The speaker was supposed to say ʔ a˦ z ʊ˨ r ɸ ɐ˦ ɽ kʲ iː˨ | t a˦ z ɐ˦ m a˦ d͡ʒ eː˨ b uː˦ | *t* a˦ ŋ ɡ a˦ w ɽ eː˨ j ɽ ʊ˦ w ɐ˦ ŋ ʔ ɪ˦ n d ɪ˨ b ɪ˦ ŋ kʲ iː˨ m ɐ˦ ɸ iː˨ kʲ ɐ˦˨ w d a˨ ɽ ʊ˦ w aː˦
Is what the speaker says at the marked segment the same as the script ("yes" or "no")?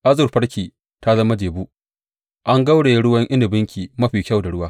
no